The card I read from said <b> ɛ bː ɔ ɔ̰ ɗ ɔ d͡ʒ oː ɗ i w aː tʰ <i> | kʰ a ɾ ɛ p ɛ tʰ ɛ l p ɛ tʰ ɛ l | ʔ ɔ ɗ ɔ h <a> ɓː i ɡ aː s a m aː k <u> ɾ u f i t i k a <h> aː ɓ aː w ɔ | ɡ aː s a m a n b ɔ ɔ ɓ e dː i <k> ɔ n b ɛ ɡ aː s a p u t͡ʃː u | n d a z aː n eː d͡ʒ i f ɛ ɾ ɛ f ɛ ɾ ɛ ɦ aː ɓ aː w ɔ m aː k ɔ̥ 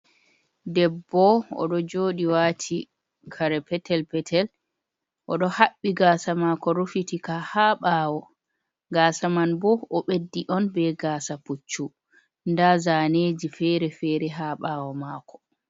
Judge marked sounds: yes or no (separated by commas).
no, yes, yes, no, yes, no